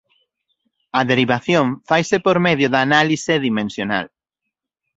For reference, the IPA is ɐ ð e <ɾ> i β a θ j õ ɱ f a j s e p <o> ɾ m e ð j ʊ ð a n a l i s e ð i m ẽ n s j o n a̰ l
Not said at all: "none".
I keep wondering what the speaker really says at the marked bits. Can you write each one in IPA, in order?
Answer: ɾ, o

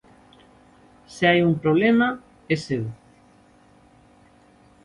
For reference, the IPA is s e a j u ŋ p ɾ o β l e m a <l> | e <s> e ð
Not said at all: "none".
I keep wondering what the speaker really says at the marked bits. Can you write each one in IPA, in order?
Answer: none, s

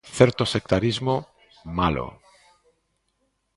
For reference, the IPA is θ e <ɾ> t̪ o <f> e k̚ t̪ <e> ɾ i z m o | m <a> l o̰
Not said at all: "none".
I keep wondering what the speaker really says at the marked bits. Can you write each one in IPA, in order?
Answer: ɾ, s, a, a

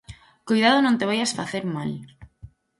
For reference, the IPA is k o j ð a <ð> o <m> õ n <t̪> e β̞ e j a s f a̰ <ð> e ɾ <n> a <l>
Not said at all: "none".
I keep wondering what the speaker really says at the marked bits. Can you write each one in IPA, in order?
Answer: ð, n, t̪, θ, m, l

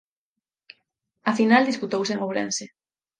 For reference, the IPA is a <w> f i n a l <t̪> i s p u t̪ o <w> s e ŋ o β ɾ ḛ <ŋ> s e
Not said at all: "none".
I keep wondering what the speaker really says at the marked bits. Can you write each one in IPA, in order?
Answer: none, d̪, w, n

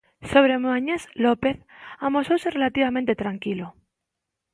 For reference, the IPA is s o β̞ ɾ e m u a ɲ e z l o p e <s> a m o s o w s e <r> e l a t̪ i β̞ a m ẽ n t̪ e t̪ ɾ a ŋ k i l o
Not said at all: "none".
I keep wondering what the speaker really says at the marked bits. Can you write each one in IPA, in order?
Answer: θ, r

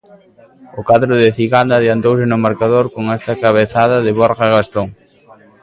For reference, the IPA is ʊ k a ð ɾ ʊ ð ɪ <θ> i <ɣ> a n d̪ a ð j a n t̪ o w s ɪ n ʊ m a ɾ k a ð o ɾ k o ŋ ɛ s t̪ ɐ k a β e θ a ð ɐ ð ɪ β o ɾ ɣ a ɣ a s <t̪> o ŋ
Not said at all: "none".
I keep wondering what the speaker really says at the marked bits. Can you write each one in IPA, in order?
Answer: θ, ɣ, t̪

